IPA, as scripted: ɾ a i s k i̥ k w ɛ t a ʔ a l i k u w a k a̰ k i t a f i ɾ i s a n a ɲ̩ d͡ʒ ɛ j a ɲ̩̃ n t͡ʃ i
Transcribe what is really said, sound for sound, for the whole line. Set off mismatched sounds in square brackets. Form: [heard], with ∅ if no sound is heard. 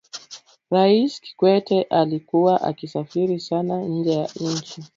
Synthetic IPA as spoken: ɾ a i s k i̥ k w ɛ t [ɛ] ʔ a l i k u w a [ʔ] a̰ k i [s] a f i ɾ i s a n a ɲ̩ d͡ʒ ɛ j a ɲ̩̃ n t͡ʃ i